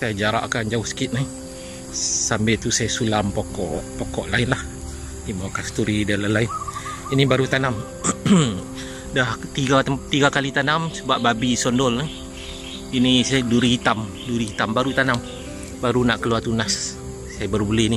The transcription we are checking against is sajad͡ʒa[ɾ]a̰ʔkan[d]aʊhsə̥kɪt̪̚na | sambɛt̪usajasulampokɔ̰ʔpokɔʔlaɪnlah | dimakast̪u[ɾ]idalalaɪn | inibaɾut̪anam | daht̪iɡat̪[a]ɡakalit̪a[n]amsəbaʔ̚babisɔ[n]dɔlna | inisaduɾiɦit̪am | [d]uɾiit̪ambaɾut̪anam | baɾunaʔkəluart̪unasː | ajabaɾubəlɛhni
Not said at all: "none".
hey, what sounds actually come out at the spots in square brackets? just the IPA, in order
ɾ, d͡ʒ, ɾ, i, n, n, d

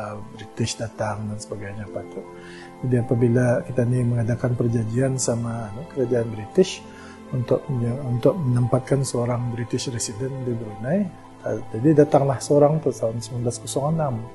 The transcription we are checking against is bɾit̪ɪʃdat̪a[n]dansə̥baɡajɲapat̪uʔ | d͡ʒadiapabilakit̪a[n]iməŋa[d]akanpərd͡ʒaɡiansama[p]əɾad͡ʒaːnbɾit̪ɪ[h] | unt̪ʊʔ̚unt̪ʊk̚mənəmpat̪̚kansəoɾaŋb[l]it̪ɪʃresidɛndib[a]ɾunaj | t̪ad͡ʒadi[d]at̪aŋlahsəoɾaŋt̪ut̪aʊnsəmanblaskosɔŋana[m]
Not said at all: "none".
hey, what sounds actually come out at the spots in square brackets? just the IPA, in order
ŋ, n, d, k, ʃ, ɾ, ə, d, m

